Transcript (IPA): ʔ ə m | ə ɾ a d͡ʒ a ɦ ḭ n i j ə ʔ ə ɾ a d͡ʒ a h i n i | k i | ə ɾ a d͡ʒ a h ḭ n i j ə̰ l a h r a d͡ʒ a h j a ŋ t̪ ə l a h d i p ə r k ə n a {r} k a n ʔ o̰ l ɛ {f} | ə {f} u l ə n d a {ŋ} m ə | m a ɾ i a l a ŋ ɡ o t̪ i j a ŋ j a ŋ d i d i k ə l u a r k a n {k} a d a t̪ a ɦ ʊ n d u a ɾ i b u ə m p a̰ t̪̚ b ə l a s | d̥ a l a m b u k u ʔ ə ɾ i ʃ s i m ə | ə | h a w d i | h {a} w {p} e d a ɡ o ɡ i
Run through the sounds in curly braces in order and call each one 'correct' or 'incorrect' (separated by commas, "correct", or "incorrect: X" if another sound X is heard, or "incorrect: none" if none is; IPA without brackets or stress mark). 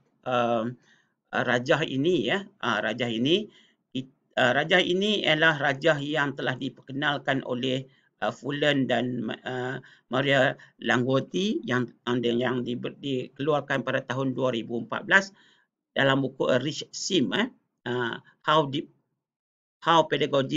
incorrect: l, incorrect: h, correct, incorrect: n, incorrect: p, correct, correct